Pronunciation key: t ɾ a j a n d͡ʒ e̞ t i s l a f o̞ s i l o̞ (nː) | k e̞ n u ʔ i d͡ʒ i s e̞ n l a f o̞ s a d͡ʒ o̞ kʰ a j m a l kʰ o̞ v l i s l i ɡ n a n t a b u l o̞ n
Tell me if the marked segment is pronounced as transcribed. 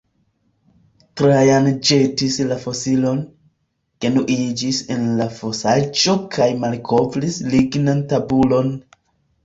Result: no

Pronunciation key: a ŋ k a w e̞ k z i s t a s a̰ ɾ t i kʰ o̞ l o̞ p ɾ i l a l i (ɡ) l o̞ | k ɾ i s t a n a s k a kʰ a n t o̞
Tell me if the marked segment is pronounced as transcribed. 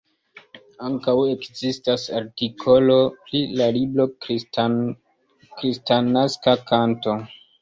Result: no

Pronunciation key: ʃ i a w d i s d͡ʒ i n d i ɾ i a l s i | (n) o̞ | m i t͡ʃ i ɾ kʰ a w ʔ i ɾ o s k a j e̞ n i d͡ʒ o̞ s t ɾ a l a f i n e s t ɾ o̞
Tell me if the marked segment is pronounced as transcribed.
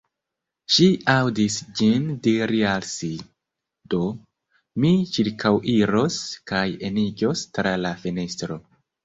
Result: no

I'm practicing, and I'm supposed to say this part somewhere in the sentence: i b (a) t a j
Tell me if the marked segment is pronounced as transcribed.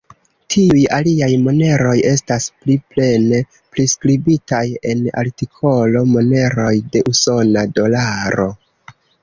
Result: no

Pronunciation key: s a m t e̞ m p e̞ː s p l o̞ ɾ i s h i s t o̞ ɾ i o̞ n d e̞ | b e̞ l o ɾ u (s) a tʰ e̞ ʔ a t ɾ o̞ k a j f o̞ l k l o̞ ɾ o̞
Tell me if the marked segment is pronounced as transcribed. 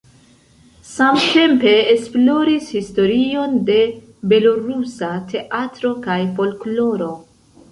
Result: yes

